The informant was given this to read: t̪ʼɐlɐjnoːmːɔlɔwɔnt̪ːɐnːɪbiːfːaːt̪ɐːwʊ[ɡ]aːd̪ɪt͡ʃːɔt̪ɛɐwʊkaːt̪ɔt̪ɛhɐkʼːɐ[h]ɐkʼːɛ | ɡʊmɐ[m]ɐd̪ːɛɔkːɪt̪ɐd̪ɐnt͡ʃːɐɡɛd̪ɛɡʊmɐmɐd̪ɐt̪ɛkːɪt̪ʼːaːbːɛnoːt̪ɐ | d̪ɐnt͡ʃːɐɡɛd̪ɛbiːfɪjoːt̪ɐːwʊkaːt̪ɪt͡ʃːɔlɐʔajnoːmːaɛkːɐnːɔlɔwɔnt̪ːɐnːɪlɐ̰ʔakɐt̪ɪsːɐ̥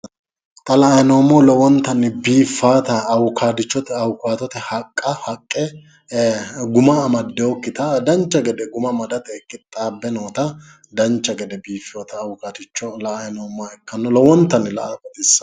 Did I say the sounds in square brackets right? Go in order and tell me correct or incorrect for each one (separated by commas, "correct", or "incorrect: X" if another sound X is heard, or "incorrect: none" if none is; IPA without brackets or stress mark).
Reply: incorrect: k, correct, correct